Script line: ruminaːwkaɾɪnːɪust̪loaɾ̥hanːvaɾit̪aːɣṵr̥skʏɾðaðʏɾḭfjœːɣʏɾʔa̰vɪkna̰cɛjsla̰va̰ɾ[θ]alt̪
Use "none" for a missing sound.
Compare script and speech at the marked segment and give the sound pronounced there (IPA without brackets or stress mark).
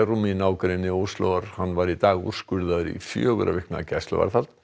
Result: θ